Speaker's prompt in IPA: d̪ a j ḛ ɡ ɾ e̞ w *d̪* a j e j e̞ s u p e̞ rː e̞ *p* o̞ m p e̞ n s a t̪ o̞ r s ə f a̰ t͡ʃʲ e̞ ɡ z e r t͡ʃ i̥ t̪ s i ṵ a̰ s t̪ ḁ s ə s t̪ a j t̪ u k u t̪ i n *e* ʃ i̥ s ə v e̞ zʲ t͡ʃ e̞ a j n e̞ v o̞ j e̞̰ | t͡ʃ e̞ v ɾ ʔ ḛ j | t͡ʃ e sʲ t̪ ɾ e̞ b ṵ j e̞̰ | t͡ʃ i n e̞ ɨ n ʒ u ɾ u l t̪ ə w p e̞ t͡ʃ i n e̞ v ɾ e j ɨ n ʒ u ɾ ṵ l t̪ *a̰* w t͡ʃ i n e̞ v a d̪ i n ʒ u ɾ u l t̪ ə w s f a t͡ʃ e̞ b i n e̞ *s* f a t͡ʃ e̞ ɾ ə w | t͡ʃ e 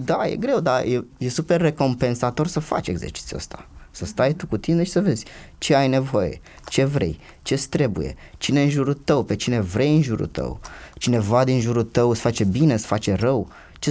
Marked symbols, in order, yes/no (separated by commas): yes, no, yes, no, yes